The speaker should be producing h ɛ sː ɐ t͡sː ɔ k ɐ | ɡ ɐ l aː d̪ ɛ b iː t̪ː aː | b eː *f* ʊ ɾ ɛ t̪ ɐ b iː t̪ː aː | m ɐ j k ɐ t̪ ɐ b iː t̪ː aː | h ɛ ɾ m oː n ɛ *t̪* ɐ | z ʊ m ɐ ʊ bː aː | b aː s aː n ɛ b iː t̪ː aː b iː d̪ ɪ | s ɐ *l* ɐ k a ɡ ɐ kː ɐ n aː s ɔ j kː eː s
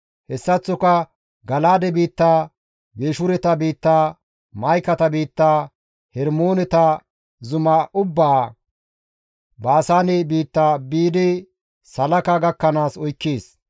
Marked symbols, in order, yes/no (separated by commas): no, yes, yes